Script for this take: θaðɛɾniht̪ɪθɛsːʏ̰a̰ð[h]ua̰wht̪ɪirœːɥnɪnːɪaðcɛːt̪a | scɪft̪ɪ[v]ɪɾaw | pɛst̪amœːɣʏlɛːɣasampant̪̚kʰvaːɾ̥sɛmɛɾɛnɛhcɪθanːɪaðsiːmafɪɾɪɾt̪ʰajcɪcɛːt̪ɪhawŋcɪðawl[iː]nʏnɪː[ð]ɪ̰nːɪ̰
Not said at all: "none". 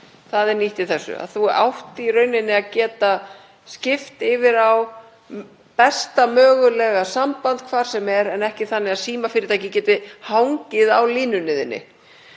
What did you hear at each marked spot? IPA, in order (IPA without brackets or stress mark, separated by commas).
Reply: θ, v, iː, ð